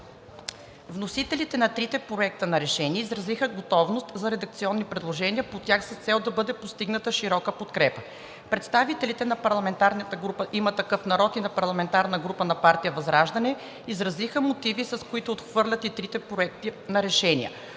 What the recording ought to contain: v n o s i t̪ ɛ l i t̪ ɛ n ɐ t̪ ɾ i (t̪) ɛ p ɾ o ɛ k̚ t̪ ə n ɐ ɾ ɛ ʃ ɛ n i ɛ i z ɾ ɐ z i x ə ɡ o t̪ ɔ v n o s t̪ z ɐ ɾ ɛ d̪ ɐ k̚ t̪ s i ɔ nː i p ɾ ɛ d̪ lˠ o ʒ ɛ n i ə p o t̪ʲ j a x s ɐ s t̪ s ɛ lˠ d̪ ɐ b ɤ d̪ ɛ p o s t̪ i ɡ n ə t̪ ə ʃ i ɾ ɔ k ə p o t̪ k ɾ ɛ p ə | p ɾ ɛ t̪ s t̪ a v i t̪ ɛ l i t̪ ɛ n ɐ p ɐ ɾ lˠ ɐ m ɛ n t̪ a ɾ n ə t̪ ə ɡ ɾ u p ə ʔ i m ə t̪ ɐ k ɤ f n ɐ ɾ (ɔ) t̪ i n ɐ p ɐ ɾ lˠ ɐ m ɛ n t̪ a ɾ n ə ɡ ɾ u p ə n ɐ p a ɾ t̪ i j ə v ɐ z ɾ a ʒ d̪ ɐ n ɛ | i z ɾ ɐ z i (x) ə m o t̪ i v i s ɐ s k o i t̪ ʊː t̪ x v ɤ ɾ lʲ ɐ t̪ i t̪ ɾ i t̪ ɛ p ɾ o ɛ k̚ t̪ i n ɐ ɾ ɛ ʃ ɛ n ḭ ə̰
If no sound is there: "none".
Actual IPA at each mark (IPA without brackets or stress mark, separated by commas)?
t̪, ɔ, x